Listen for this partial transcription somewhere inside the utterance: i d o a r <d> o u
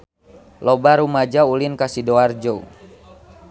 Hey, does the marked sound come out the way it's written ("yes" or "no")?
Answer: no